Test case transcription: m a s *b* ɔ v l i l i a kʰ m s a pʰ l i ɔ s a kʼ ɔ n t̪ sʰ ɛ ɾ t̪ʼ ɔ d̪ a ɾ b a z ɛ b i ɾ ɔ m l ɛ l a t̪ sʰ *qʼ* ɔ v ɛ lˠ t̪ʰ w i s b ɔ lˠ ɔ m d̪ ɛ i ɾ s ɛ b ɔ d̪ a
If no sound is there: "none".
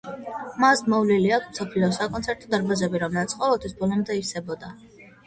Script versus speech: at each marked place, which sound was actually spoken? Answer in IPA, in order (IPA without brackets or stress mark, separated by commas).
m, qʼ